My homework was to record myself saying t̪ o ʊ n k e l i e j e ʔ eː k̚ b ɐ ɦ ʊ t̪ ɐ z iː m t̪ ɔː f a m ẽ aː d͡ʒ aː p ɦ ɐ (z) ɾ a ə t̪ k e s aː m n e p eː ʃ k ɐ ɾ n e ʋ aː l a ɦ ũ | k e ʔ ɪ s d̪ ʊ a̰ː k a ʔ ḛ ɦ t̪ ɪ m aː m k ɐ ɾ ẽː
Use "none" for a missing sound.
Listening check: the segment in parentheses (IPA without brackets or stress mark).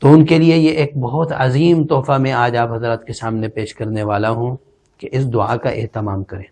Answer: z